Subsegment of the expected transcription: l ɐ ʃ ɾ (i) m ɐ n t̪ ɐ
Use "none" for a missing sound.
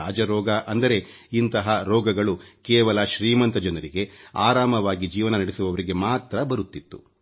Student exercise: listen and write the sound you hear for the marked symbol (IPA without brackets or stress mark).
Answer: iː